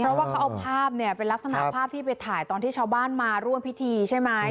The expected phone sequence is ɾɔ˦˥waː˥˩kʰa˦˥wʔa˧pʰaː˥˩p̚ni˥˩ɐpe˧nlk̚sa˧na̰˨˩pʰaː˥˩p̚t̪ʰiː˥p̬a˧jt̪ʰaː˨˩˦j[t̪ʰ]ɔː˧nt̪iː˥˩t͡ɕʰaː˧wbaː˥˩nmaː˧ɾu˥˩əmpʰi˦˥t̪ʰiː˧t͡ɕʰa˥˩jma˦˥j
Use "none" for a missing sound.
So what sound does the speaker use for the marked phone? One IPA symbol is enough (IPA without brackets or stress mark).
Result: t̪